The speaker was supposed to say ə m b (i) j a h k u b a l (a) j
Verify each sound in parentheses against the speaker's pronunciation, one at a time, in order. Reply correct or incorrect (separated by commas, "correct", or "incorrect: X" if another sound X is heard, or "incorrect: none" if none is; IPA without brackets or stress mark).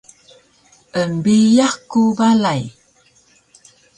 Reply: correct, correct